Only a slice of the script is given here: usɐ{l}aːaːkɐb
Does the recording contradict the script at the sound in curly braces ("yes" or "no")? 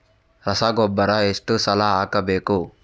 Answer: no